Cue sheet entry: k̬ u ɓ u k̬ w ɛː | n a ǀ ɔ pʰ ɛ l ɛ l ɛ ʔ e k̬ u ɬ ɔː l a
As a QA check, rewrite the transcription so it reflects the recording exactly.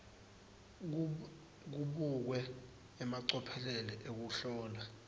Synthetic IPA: k̬ u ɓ u k̬ w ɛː | m a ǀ ɔ pʰ ɛ l ɛ l ɛ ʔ e k̬ u ɬ ɔː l a